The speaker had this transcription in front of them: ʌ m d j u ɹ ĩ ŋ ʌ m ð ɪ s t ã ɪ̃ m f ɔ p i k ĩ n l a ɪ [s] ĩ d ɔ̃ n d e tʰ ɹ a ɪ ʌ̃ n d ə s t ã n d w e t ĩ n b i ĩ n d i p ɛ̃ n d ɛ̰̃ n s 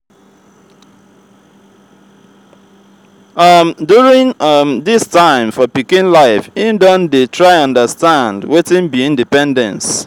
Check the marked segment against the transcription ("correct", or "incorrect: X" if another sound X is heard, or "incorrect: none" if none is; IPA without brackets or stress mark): incorrect: f